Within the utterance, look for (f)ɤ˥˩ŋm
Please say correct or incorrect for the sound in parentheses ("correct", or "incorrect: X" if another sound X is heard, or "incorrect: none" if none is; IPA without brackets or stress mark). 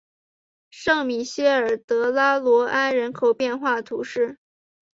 incorrect: ʂ